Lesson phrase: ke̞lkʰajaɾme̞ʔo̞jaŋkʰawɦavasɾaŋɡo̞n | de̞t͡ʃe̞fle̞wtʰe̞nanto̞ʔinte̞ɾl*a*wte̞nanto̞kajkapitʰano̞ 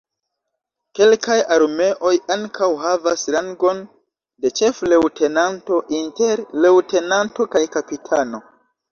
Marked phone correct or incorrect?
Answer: incorrect: e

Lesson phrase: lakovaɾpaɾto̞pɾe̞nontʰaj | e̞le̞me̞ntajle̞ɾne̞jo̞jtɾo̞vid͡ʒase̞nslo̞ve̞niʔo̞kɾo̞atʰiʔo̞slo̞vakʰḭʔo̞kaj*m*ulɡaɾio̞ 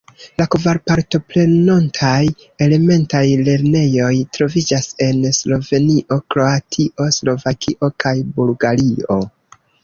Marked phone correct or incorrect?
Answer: incorrect: b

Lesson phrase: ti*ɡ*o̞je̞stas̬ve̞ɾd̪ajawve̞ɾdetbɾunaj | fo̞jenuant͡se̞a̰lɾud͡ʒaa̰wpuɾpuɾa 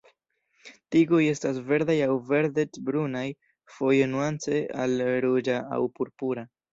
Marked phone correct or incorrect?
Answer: correct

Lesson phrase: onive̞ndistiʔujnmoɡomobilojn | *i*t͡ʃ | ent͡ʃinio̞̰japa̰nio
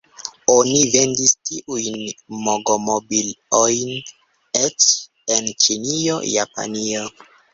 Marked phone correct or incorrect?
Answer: incorrect: e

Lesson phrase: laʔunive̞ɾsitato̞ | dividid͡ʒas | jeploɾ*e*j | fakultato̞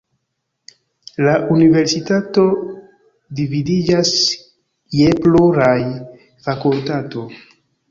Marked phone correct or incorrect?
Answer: incorrect: a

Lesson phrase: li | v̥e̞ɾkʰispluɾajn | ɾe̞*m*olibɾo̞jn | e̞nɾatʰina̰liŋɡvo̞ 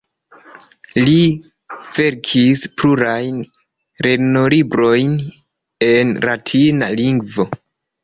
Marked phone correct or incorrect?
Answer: incorrect: n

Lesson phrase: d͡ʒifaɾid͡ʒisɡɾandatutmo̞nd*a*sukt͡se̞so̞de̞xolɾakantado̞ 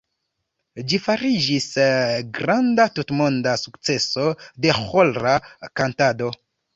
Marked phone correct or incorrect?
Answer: correct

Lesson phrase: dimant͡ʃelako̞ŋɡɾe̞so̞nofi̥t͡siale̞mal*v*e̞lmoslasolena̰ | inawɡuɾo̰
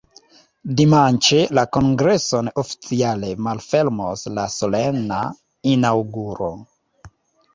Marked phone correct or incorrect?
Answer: incorrect: f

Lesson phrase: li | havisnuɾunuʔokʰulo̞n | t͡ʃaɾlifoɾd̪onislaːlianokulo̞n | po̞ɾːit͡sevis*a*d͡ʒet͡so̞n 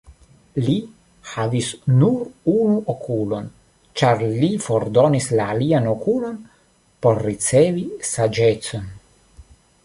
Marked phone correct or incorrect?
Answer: correct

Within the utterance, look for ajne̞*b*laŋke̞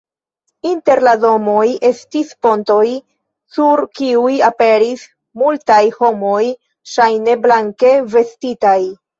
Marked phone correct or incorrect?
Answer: correct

